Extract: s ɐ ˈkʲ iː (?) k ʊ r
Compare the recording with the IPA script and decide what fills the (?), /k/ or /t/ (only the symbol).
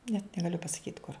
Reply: t